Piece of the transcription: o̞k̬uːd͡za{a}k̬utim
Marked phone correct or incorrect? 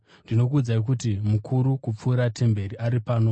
incorrect